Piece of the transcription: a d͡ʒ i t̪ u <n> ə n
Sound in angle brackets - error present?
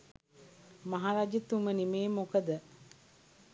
yes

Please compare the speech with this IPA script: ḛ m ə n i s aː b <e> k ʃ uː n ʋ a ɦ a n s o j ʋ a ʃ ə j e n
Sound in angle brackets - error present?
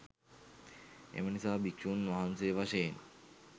yes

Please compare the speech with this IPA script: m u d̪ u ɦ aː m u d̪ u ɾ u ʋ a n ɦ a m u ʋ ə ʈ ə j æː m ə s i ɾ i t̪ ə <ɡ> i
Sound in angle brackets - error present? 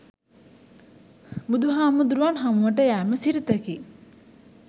yes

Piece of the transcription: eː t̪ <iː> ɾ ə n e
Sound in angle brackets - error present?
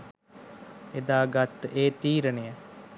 no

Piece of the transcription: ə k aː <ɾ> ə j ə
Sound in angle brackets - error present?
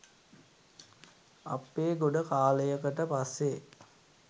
yes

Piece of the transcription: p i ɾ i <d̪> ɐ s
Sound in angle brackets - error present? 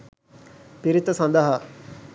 yes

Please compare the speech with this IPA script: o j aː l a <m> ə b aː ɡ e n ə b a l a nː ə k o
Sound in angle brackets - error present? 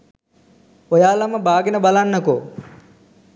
no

